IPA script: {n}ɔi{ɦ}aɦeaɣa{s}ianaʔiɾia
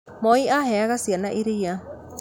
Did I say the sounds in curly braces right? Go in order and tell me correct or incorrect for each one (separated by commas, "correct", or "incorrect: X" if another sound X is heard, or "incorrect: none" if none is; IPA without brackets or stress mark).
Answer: incorrect: m, incorrect: none, correct